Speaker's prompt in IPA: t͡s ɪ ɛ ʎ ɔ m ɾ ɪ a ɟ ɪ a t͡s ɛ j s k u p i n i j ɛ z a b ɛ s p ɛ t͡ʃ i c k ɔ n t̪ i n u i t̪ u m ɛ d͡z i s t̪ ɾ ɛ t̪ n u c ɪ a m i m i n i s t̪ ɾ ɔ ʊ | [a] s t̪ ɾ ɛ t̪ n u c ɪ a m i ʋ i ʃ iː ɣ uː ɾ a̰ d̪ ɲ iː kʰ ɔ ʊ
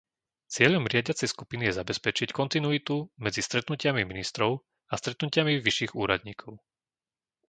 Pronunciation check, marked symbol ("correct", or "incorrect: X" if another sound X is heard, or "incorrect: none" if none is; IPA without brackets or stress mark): correct